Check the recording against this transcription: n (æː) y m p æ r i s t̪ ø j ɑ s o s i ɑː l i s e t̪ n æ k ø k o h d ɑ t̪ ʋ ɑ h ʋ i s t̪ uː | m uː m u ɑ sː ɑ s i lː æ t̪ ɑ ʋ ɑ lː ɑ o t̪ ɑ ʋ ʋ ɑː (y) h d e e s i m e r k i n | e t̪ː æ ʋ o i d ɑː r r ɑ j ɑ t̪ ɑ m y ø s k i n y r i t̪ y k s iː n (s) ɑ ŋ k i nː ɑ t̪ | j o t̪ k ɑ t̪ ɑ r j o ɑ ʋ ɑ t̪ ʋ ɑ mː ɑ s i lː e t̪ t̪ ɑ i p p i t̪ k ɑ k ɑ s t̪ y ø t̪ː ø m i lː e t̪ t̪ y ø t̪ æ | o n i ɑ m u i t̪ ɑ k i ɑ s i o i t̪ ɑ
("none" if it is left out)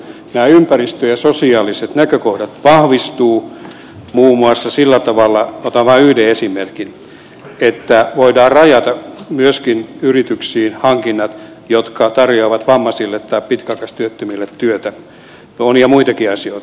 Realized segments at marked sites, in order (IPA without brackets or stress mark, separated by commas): æː, y, h